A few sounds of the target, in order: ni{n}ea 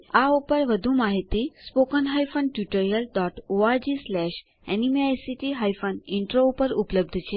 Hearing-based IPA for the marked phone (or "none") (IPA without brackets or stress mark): m